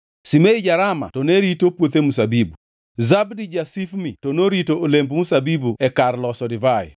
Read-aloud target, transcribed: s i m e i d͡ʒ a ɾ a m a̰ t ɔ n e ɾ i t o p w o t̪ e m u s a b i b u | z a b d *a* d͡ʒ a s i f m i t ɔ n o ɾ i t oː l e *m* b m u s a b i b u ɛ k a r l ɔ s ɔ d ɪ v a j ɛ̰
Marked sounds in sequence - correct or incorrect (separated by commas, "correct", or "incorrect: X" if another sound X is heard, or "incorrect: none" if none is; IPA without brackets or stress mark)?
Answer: incorrect: i, correct